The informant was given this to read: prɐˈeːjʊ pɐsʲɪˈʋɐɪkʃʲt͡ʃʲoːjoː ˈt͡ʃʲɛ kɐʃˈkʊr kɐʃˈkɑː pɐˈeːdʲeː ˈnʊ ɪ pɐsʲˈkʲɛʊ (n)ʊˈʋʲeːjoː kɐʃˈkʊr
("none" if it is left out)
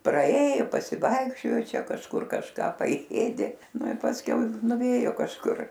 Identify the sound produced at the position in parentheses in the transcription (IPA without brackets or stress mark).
n